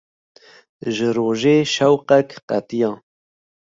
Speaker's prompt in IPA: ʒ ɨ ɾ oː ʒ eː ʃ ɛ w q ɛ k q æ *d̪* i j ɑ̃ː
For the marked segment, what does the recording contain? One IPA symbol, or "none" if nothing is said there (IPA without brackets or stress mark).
t̪